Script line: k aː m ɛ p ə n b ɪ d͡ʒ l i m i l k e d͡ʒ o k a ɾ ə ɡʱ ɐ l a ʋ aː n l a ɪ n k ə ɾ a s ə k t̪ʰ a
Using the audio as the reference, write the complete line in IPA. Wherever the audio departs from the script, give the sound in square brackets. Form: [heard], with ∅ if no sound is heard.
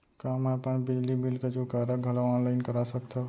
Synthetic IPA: k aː m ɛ p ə n b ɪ d͡ʒ l i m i l k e d͡ʒ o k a ɾ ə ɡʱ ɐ l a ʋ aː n l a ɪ n k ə ɾ a s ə k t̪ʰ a